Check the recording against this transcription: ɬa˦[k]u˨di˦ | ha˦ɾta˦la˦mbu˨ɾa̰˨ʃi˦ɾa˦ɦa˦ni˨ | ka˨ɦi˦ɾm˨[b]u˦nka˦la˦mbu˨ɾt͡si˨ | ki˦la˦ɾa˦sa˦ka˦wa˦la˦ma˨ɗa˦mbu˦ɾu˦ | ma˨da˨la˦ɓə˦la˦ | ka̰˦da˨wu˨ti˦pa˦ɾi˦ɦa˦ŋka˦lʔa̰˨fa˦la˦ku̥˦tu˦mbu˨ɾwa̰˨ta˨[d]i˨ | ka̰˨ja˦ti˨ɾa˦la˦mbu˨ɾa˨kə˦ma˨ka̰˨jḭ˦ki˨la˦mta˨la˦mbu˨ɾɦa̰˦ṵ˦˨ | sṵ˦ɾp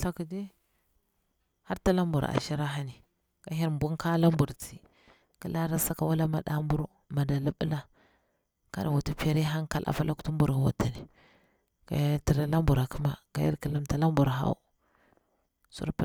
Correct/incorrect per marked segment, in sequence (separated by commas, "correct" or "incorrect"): correct, correct, incorrect